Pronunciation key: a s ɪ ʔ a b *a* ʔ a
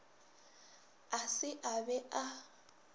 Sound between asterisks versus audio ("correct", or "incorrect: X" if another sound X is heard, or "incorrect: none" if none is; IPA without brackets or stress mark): incorrect: ɛ